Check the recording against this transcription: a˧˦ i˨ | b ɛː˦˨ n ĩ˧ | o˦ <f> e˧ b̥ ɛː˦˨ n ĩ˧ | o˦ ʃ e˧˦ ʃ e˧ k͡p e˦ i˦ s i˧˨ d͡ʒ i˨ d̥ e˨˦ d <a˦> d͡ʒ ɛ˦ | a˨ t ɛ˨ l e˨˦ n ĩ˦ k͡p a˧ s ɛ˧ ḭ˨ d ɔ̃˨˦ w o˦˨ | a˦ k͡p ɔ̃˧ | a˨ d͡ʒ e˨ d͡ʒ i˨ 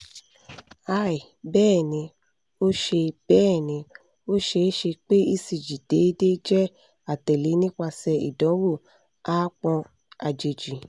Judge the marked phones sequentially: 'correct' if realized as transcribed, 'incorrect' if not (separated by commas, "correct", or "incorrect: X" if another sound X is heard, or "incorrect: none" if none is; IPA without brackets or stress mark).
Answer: incorrect: ʃ, incorrect: e˦